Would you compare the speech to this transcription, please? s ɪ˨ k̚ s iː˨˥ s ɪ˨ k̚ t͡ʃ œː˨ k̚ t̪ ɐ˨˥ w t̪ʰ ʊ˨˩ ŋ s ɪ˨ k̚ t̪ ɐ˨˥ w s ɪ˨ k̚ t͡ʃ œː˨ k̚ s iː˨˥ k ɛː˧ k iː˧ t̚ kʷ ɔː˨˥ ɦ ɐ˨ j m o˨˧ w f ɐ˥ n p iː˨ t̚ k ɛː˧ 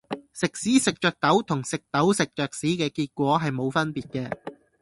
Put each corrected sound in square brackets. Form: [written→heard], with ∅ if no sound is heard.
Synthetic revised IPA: s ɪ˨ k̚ s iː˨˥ s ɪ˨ k̚ t͡ʃ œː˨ k̚ t̪ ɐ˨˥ w t̪ʰ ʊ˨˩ ŋ s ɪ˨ k̚ t̪ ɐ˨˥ w s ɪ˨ k̚ t͡ʃ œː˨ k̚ s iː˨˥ k ɛː˧ k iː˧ t̚ kʷ ɔː˨˥ ɦ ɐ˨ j m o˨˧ w f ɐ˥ n p iː˨ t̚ k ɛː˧